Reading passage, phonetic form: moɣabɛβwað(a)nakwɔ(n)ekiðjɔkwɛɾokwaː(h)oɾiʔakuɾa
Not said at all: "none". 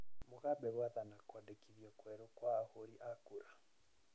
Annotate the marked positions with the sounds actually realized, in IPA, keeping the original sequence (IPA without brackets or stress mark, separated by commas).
a, d, h